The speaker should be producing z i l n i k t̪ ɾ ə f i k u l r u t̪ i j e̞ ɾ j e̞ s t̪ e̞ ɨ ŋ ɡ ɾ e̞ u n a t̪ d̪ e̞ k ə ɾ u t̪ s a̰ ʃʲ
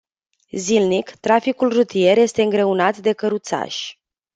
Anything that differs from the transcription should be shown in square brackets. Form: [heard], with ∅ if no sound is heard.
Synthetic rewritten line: z i l n i k t̪ ɾ [a] f i k u l r u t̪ i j e̞ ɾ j e̞ s t̪ e̞ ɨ ŋ ɡ ɾ e̞ u n a t̪ d̪ e̞ k ə ɾ u t̪ s a̰ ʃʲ